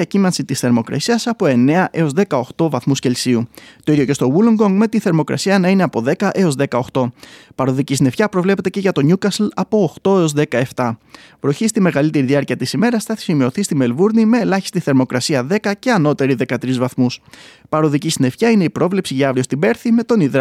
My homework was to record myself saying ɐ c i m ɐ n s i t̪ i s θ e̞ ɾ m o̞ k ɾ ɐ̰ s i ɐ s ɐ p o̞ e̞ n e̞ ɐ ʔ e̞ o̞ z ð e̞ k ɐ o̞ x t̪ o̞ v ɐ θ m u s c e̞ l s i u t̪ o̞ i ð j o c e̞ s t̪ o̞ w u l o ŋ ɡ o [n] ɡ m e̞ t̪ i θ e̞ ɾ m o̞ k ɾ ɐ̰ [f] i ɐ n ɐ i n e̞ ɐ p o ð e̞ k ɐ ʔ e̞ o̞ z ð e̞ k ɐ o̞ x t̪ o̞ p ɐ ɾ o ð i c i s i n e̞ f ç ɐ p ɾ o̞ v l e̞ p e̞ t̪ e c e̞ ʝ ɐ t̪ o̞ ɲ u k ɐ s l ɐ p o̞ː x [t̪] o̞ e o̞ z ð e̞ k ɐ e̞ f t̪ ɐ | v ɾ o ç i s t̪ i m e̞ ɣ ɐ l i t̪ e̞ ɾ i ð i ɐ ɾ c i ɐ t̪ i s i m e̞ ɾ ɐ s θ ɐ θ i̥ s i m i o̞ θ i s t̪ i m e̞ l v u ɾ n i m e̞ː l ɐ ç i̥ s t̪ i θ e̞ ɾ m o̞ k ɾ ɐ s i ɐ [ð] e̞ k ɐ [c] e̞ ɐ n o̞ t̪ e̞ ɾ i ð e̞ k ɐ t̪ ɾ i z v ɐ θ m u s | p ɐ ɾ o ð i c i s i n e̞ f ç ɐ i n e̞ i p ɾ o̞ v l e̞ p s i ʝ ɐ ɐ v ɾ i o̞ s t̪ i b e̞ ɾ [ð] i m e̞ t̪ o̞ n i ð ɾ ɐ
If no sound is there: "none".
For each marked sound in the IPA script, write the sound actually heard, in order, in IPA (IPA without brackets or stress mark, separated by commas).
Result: ŋ, s, t̪, ð, c, θ